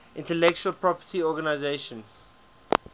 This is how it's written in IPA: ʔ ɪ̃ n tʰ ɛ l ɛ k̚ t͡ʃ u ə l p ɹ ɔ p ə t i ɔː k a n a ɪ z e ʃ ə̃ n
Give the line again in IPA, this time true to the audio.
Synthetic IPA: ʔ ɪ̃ n t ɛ l ɛ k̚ t͡ʃ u ə l p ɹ ɔ p ə t i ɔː ɡ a n a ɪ z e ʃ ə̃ n